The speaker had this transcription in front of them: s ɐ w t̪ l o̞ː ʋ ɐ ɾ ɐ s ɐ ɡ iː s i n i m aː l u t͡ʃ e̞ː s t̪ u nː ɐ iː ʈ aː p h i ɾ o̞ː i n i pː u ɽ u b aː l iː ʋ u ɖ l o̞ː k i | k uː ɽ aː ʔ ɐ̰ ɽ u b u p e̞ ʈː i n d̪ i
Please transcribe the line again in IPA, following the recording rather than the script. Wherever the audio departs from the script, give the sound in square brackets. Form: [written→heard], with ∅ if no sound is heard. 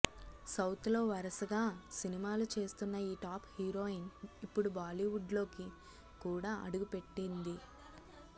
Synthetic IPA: s ɐ w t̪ l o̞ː ʋ ɐ ɾ ɐ s ɐ ɡ [iː→aː] s i n i m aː l u t͡ʃ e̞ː s t̪ u nː ɐ iː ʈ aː p h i ɾ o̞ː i n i pː u ɽ u b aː l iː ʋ u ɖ l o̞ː k i | k uː ɽ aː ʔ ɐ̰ ɽ u [b→ɡ] u p e̞ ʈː i n d̪ i

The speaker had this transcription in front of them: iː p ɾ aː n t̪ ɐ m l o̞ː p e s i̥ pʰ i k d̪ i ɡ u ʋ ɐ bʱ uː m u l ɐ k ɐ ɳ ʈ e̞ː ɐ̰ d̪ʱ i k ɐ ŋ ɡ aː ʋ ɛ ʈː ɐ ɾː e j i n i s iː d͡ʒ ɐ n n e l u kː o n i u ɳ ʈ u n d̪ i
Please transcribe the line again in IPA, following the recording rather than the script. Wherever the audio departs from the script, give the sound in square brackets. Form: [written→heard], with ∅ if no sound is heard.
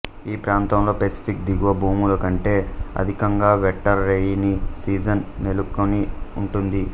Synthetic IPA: iː p ɾ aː n t̪ ɐ m l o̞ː p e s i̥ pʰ i k d̪ i ɡ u ʋ ɐ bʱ uː m u l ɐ k ɐ ɳ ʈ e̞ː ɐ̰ d̪ʱ i k ɐ ŋ ɡ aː ʋ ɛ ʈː ɐ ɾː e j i n i s iː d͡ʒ ɐ n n e l u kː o n i u ɳ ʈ u n d̪ i

